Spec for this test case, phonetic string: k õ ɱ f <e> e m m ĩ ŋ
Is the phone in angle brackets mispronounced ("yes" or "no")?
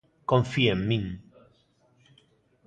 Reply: yes